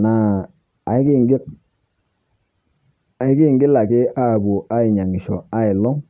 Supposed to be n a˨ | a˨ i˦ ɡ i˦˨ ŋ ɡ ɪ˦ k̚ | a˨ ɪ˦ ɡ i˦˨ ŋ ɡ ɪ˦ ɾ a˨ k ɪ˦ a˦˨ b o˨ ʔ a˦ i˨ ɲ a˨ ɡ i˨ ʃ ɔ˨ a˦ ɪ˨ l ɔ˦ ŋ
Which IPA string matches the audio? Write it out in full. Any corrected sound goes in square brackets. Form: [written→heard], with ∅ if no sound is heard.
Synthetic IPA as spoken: n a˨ | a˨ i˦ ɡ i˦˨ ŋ ɡ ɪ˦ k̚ | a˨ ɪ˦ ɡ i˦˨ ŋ ɡ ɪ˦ [ɾ→l] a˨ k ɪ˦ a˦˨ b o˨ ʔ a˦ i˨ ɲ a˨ [ɡ→ŋ] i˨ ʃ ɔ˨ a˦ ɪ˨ l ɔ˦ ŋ